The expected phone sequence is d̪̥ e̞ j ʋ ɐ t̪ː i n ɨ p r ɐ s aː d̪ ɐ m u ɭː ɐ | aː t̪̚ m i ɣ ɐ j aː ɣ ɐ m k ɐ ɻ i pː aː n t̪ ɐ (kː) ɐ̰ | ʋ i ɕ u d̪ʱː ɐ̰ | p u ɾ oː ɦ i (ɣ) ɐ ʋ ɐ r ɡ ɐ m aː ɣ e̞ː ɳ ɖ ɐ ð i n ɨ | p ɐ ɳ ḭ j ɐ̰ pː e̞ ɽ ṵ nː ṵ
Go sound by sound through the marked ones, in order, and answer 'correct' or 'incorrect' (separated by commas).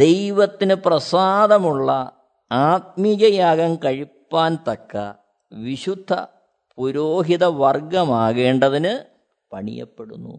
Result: correct, incorrect